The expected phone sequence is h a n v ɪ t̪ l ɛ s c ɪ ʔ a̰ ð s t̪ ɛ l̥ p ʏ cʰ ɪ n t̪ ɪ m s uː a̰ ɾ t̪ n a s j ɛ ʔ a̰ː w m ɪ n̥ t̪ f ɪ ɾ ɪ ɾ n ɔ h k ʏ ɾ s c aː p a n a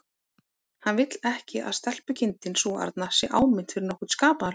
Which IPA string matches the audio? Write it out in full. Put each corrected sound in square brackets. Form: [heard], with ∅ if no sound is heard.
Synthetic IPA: h a n v ɪ t̪ l ɛ [h] c ɪ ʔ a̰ ð s t̪ ɛ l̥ p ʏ cʰ ɪ n t̪ ɪ [n] s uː a̰ ɾ t̪ n a s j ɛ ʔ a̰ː w m ɪ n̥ t̪ f ɪ ɾ ɪ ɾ n ɔ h k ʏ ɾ s [k] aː p a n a